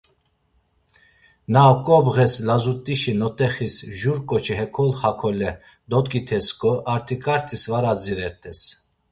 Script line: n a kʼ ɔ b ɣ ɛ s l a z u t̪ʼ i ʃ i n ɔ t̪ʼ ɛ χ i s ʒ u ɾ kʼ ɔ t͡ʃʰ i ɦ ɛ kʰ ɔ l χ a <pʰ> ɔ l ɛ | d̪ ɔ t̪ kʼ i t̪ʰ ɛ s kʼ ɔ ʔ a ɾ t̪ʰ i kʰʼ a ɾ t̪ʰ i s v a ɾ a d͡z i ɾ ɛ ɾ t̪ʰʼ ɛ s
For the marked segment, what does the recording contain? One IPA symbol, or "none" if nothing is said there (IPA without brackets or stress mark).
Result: kʰ